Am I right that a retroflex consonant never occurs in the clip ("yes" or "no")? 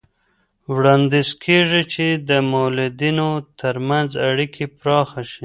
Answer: no